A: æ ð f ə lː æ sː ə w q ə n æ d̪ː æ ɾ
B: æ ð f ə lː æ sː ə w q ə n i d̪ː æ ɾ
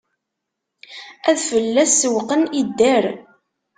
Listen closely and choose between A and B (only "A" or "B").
B